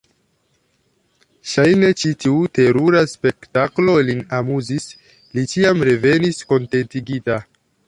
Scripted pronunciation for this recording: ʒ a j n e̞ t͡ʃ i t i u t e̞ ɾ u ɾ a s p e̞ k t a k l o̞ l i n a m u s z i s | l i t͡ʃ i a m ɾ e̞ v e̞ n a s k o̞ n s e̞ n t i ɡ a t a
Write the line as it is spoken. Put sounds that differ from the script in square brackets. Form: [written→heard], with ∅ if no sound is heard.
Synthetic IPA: [ʒ→ʃ] a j n e̞ t͡ʃ i t i u t e̞ ɾ u ɾ a s p e̞ k t a k l o̞ l i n a m u [s→∅] z i s | l i t͡ʃ i a m ɾ e̞ v e̞ n [a→i] s k o̞ n [s→t] e̞ n t i ɡ [a→i] t a